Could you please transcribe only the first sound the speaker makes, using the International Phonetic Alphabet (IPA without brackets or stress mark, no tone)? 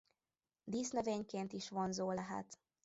d̪